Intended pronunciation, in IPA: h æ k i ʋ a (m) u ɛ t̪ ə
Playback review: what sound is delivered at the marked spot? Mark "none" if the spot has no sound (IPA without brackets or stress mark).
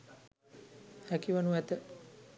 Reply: n